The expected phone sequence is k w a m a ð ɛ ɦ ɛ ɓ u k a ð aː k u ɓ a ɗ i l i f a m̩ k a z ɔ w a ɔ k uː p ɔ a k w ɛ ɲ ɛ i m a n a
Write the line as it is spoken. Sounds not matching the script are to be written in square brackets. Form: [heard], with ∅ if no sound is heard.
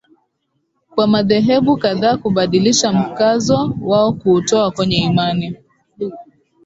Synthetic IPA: k w a m a ð ɛ ɦ ɛ ɓ u k a ð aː k u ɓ a ɗ i l i [ʃ] a m̩ k a z ɔ w a ɔ k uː [t] ɔ a k w ɛ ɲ ɛ i m a n [i]